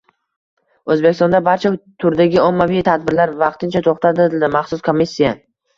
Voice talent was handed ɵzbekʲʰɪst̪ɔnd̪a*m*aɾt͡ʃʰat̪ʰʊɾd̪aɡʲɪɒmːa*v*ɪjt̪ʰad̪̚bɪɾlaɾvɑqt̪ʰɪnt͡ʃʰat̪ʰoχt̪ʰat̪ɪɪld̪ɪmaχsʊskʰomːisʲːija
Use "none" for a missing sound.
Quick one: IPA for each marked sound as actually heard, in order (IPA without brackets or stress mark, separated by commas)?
b, v